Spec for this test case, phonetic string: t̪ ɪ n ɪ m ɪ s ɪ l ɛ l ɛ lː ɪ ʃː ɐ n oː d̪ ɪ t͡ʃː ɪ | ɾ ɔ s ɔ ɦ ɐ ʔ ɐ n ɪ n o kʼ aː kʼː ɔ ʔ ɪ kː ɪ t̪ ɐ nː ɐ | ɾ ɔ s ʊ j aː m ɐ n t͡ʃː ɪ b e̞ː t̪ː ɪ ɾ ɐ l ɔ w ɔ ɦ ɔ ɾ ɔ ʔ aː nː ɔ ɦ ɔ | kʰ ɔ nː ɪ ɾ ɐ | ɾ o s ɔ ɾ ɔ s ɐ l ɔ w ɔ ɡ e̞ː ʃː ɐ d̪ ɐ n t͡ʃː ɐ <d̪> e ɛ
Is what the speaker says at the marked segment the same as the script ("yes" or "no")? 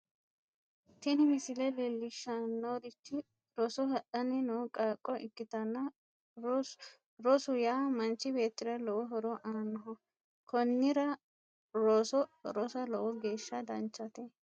no